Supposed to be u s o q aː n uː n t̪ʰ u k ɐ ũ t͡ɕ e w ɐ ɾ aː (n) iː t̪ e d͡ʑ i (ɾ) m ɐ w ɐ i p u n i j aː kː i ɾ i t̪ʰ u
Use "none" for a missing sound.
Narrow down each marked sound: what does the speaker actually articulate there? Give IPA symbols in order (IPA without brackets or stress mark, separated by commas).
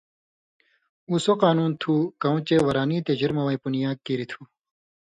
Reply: n, ɾ